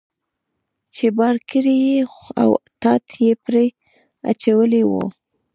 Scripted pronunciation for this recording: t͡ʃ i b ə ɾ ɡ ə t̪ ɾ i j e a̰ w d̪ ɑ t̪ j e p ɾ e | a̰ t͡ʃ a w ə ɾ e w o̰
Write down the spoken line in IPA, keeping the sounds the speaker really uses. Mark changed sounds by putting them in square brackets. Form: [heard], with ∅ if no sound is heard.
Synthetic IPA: t͡ʃ [e] b [ɑ] ɾ [k] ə [∅] ɾ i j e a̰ w [t̪] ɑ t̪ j e p ɾ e | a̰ t͡ʃ a w ə [l] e w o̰